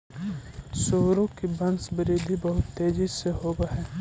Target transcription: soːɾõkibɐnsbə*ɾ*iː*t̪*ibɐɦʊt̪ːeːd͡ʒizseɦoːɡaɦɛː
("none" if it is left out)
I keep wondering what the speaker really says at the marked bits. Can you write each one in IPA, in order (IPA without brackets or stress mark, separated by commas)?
ɾ, d̪